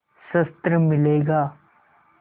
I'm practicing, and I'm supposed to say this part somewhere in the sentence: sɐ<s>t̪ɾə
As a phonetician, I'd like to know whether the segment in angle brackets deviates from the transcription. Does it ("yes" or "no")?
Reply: no